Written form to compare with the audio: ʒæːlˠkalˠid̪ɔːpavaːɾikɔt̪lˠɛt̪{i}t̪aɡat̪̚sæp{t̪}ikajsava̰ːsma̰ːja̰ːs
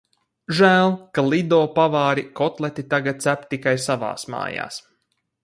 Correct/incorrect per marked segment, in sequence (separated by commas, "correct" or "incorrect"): correct, correct